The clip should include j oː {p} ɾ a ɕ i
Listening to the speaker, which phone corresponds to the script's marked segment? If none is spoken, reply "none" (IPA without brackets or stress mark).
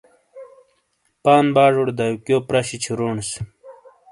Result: p